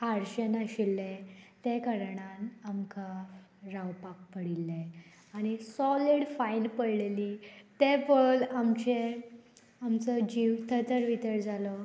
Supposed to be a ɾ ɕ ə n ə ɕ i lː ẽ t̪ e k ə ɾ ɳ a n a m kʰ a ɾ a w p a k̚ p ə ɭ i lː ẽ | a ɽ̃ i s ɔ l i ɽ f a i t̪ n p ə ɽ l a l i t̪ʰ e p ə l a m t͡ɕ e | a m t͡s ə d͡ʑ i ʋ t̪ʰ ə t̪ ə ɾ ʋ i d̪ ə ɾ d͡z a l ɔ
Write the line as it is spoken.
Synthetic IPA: a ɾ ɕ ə n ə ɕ i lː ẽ t̪ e k ə ɾ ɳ a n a m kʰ a ɾ a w p a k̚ p ə ɽ i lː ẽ | a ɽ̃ i s ɔ l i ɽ f a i n p ə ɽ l e l i t̪ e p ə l a m t͡ɕ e | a m t͡s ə d͡ʑ i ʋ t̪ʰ ə t̪ ə ɾ ʋ i t̪ ə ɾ d͡z a l ɔ